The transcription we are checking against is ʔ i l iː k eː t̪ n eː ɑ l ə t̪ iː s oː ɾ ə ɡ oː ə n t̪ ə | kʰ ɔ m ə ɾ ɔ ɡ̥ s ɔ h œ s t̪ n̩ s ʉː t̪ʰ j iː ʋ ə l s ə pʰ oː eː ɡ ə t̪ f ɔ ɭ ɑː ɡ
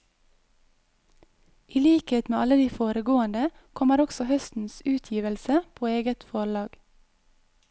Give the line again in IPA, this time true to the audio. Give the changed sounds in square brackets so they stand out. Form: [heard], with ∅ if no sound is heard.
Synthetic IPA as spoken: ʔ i l iː k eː t̪ [m] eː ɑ l ə [d̪] iː [f] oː ɾ ə ɡ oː ə n [d̪] ə | kʰ ɔ m ə ɾ ɔ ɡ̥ s ɔ h œ s t̪ n̩ s ʉː t̪ʰ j iː ʋ ə l s ə pʰ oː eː ɡ ə t̪ f ɔ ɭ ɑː ɡ